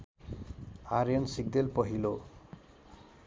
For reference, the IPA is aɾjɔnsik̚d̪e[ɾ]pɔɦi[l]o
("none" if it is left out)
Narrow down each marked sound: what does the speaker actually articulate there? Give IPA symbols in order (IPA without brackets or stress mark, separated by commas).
l, l